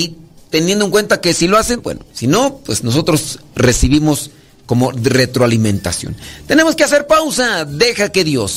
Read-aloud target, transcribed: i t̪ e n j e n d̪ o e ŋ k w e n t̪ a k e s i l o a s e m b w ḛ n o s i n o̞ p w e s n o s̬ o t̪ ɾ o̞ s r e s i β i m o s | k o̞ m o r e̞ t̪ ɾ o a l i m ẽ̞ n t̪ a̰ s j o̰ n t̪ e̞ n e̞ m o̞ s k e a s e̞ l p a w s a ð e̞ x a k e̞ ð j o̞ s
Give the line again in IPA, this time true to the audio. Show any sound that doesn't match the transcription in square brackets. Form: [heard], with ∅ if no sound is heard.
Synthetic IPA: i t̪ e n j e n d̪ o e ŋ k w e n t̪ a k e s i l o a s e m b w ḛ n o s i n o̞ p w e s n o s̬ o t̪ ɾ o̞ s r e s i β i m o s | k o̞ m o r e̞ t̪ ɾ o a l i m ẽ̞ n t̪ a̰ s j o̰ n t̪ e̞ n e̞ m o̞ s k e a s e̞ [ɾ] p a w s a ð e̞ x a k e̞ ð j o̞ s